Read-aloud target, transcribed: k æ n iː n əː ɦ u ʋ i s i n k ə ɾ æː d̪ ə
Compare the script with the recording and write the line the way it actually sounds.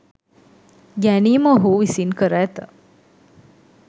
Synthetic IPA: ɡ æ n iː m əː ɦ u ʋ i s i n k ə ɾ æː t̪ ə